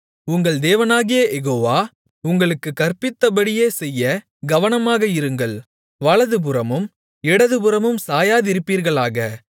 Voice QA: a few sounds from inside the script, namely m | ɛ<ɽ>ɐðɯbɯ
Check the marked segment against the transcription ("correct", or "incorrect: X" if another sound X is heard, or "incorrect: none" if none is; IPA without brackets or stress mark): correct